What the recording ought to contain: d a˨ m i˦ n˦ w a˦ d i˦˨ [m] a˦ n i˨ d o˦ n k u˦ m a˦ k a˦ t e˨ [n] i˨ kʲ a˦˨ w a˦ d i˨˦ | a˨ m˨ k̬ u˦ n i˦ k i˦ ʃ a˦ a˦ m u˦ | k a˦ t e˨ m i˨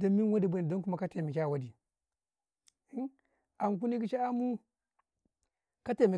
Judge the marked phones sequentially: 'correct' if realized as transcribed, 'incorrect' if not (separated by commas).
incorrect, incorrect